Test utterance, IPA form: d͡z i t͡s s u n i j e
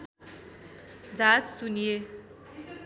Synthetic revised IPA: d͡z a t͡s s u n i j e